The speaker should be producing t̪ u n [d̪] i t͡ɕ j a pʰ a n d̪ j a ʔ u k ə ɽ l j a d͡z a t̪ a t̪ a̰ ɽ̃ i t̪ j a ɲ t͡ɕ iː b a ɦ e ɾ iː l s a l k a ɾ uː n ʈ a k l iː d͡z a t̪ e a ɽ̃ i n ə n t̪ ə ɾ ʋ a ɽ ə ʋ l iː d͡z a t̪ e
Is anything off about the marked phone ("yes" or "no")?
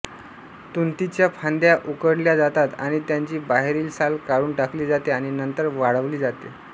yes